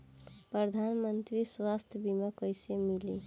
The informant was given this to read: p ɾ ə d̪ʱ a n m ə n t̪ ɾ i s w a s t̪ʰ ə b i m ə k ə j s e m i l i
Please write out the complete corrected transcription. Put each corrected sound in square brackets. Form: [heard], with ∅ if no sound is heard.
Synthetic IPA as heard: p ɾ ə d̪ʱ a n m ə n t̪ ɾ i s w a s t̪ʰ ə b i m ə k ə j s e m i l i